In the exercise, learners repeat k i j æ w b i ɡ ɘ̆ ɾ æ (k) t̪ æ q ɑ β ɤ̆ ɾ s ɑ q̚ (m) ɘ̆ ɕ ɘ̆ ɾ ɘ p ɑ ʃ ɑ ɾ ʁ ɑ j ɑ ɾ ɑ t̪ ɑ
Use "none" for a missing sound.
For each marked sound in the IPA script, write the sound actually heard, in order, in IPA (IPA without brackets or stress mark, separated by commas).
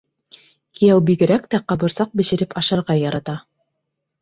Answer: k, b